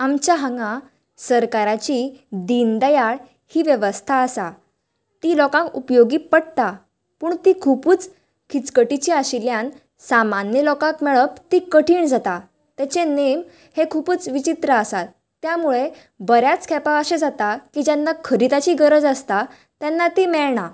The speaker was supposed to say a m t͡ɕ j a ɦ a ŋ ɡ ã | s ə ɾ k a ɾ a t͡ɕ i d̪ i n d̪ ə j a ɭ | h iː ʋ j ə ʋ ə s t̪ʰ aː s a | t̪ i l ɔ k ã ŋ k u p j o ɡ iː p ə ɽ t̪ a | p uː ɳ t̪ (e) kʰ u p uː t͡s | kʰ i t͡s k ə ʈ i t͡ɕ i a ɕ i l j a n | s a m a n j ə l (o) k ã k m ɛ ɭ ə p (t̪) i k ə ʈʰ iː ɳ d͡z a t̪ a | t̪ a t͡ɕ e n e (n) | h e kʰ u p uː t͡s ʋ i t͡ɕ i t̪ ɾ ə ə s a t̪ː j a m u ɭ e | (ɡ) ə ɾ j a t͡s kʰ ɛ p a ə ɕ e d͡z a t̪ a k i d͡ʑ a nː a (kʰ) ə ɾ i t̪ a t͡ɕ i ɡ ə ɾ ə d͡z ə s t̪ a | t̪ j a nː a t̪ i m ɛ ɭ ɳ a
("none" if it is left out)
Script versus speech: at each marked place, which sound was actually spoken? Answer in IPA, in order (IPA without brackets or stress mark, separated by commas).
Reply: i, ɔ, t̪, m, b, kʰ